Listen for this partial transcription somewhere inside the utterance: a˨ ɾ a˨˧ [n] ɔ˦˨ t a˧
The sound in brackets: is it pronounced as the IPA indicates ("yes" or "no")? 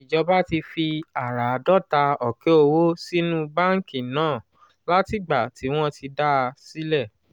no